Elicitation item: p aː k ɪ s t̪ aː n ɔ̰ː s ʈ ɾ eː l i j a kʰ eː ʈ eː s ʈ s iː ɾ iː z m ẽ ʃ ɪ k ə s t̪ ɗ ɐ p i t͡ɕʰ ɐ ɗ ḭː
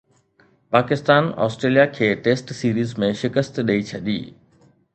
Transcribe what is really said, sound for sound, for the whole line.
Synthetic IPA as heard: p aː k ɪ s t̪ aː n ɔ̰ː s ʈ ɾ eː l i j a kʰ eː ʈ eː s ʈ s iː ɾ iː z m ẽ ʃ ɪ k ə s t̪ ɗ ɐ i t͡ɕʰ ɐ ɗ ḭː

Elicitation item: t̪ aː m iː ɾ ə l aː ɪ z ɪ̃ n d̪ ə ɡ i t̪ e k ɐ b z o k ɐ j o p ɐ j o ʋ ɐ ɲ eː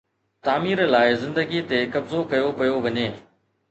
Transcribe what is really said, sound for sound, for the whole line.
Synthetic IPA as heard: t̪ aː m iː ɾ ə l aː ɪ z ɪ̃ n d̪ ə ɡ i t̪ e k ɐ b z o k ɐ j o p ɐ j o ʋ ɐ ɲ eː

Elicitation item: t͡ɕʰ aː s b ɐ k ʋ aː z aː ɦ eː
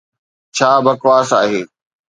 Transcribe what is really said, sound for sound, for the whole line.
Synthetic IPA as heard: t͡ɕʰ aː b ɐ k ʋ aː s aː ɦ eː

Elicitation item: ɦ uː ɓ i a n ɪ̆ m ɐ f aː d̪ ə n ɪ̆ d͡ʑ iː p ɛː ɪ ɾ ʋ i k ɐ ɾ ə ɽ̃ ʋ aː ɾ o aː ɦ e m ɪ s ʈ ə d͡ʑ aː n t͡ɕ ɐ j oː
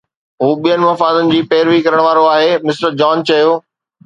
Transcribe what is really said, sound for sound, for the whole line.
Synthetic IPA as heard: ɦ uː ɓ i ə n ɪ̆ m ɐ f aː d̪ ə n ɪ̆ d͡ʑ iː p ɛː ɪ ɾ ʋ i k ɐ ɾ ə ɽ̃ ʋ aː ɾ o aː ɦ e m ɪ s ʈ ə d͡ʑ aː n t͡ɕ ɐ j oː

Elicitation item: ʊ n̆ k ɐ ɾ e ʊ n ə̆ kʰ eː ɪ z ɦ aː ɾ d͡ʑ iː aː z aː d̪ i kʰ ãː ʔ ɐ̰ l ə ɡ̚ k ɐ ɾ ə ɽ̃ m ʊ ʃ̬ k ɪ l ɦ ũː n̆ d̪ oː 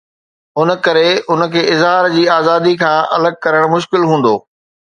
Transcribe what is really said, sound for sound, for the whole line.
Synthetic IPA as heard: ʊ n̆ k ɐ ɾ e ʊ n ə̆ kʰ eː ɪ z ɦ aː ɾ d͡ʑ iː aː z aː d̪ i kʰ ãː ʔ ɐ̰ l ə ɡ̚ k ɐ ɾ ə ɽ̃ m ʊ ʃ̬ k ɪ l ɦ ũː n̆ d̪ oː

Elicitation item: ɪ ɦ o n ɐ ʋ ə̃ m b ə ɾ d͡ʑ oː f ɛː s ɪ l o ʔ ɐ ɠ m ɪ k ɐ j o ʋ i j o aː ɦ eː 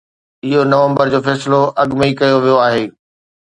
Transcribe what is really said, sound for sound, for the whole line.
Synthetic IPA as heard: ɪ ɦ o n ɐ ʋ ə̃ m b ə ɾ d͡ʑ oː f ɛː s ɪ l o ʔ ɐ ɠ m i k ɐ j o ʋ i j o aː ɦ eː

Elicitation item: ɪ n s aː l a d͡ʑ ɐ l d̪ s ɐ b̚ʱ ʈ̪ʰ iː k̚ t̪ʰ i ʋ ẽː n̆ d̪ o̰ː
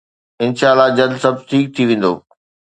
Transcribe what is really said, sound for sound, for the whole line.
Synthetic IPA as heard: ɪ n ʃ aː l a d͡ʑ ɐ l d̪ s ɐ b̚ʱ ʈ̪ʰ iː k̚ t̪ʰ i ʋ ẽː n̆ d̪ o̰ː

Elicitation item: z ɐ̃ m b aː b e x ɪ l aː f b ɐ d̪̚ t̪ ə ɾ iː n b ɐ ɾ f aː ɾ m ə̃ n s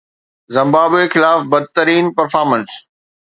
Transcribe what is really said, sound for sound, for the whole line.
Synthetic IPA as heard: z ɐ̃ m b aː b e x ɪ l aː f b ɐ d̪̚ t̪ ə ɾ iː n p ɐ ɾ f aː ɾ m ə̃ n s

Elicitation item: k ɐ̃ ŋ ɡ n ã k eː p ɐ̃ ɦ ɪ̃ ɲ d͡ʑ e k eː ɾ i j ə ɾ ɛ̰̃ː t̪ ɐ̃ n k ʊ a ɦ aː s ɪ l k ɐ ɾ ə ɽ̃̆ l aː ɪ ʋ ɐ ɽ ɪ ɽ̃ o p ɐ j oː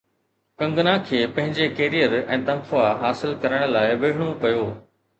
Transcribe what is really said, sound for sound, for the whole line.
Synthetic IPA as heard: k ɐ̃ ŋ ɡ n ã kʰ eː p ɐ̃ ɦ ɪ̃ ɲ d͡ʑ e k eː ɾ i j ə ɾ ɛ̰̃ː t̪ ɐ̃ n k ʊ a ɦ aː s ɪ l k ɐ ɾ ə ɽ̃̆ l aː ɪ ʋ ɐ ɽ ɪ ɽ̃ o p ɐ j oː

